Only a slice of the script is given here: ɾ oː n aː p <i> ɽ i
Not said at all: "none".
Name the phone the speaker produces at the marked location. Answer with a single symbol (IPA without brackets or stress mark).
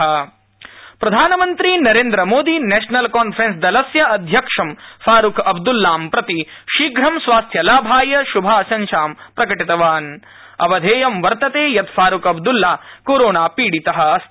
iː